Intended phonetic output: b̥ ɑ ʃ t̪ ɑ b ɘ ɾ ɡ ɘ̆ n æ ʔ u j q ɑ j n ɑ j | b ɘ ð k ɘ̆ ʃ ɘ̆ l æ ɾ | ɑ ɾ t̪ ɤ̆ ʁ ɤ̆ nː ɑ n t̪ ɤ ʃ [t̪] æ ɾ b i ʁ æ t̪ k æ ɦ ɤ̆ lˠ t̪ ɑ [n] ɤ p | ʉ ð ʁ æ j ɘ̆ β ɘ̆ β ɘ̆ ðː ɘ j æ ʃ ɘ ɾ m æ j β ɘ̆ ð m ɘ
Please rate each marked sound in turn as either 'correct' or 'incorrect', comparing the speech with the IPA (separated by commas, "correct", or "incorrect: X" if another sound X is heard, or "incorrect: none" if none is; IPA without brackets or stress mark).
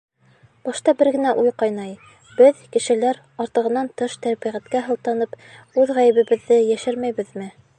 correct, correct